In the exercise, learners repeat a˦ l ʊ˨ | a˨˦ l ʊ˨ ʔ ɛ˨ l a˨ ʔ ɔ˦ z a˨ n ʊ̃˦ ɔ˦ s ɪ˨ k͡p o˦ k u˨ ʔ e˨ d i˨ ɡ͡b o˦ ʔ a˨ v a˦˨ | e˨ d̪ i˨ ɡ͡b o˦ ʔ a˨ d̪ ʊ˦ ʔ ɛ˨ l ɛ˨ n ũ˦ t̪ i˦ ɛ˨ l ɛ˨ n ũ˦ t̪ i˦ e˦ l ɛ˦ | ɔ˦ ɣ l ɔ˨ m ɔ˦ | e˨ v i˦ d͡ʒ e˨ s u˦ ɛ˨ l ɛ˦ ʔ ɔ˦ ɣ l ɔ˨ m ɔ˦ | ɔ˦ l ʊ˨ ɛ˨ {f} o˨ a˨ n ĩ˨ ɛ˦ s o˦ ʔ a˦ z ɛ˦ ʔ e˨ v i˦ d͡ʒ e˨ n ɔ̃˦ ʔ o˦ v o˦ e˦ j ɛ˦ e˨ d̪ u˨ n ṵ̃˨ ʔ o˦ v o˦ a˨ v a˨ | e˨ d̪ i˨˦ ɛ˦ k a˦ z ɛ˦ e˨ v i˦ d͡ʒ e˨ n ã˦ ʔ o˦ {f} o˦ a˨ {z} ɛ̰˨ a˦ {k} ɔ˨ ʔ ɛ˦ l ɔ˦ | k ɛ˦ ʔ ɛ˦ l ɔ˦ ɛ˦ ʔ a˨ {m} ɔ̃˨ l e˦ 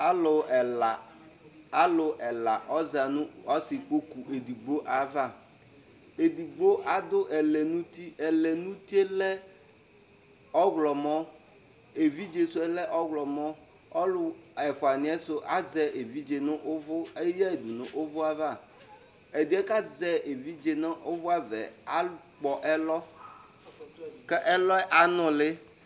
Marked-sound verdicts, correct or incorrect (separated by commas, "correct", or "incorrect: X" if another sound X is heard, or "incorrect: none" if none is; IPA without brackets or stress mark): correct, incorrect: v, incorrect: v, incorrect: k͡p, incorrect: n